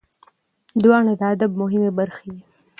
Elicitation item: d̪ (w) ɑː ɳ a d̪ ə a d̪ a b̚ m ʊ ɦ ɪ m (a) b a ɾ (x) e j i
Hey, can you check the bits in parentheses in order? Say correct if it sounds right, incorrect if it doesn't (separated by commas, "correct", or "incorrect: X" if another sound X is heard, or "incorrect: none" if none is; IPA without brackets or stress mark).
correct, incorrect: e, correct